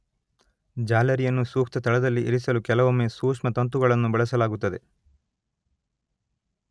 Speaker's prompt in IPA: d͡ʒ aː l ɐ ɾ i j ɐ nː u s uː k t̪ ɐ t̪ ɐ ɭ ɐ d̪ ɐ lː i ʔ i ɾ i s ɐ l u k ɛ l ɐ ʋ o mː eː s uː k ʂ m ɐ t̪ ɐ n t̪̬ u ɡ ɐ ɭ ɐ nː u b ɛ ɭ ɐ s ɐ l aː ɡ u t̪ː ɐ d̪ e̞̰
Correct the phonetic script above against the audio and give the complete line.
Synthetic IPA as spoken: d͡ʒ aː l ɐ ɾ i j ɐ nː u s uː k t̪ ɐ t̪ ɐ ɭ ɐ d̪ ɐ lː i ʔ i ɾ i s ɐ l u k ɛ l ɐ ʋ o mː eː s uː k ʂ m ɐ t̪ ɐ n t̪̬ u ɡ ɐ ɭ ɐ nː u b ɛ ɭ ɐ s ɐ l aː ɡ u t̪ː ɐ d̪ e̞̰